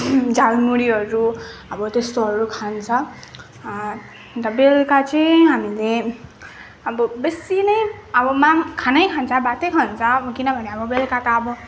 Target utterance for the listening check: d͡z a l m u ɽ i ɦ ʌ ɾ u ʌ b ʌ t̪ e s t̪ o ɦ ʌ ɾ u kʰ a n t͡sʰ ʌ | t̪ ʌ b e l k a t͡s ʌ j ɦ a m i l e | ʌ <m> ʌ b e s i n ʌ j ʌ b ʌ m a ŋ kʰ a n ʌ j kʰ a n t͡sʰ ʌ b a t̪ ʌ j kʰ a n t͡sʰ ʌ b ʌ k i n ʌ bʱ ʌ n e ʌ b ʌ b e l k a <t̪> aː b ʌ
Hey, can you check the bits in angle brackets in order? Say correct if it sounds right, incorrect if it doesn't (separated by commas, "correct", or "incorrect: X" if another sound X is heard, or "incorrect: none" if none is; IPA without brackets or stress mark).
incorrect: b, correct